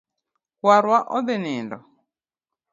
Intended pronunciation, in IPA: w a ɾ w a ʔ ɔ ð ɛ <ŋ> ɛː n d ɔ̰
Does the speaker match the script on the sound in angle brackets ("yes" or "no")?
no